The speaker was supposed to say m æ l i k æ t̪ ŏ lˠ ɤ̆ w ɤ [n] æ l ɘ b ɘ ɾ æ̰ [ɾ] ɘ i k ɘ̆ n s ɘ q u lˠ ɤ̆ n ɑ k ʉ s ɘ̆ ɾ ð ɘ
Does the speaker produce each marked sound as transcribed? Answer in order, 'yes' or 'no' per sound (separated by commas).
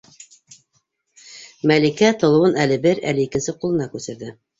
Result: yes, no